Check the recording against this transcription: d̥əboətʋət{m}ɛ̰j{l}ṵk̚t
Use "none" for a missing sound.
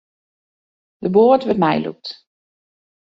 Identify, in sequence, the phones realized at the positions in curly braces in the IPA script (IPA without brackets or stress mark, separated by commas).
m, l